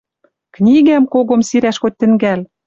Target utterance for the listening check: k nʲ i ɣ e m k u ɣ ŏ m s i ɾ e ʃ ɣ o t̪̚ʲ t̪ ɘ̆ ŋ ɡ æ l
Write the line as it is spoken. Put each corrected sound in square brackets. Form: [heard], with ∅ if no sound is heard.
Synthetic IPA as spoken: k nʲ i ɣ [æ] m k [o] ɣ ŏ m s i ɾ [æ] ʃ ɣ o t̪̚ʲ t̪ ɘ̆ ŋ ɡ æ l